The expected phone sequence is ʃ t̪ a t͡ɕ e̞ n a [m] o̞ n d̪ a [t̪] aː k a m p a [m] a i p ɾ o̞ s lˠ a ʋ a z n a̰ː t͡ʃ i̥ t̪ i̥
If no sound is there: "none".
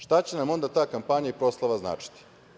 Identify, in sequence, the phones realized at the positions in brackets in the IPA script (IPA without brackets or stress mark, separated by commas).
m, t̪, ɲ